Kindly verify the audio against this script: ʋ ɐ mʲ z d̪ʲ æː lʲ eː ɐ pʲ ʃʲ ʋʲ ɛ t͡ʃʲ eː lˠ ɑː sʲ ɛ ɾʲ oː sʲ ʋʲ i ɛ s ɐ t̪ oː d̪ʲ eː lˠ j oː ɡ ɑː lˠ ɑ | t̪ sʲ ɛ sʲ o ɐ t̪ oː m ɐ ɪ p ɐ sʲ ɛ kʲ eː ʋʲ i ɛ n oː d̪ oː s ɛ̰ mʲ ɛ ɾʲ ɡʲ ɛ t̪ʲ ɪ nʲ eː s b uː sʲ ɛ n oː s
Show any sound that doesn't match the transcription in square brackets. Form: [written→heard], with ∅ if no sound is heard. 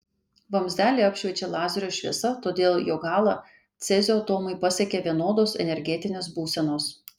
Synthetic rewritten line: ʋ ɐ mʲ z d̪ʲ æː lʲ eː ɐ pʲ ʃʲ ʋʲ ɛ t͡ʃʲ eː lˠ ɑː [sʲ→zʲ] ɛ ɾʲ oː [sʲ→ʃʲ] ʋʲ i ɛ s ɐ t̪ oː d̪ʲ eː lˠ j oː ɡ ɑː lˠ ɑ | t̪ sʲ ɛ [sʲ→zʲ] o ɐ t̪ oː m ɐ ɪ p ɐ sʲ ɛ kʲ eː ʋʲ i ɛ n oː d̪ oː s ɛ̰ [mʲ→nʲ] ɛ ɾʲ ɡʲ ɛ t̪ʲ ɪ nʲ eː s b uː sʲ ɛ n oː s